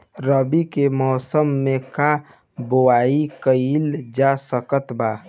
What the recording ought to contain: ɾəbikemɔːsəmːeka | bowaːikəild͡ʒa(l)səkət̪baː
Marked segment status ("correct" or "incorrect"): incorrect